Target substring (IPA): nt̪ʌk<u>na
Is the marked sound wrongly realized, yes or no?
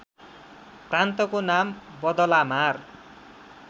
yes